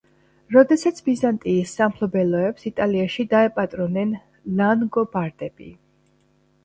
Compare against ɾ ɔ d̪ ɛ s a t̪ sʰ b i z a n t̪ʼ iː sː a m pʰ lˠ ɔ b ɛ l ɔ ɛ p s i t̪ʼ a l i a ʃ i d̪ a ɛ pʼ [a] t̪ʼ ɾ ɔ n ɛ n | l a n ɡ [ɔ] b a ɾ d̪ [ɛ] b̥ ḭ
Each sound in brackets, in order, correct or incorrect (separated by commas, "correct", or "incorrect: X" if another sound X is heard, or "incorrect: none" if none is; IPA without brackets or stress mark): correct, correct, correct